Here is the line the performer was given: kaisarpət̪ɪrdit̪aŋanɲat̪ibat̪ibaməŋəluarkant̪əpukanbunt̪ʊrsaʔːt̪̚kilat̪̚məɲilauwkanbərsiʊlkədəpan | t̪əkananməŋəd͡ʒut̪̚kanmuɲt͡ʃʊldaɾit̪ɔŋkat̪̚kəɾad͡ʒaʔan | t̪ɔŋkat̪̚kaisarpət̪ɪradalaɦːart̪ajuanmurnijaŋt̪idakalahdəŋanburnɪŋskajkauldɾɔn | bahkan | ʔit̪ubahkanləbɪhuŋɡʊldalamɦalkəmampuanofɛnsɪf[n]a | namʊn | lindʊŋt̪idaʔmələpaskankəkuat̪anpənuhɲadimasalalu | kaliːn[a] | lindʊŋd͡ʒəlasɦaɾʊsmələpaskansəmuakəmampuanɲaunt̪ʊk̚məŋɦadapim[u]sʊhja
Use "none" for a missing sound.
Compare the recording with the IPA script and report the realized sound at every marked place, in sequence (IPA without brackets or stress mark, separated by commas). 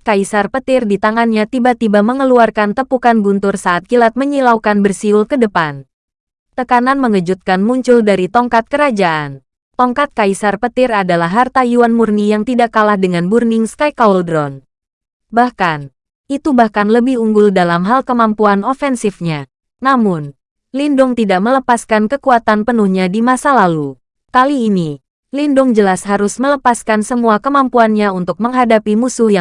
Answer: ɲ, i, u